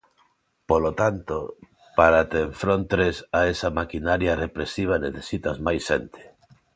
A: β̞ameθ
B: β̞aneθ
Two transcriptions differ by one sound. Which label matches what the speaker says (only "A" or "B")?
B